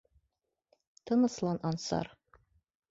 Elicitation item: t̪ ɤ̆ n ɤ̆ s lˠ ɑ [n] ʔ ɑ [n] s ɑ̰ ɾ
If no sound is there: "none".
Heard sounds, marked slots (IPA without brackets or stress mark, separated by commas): n, n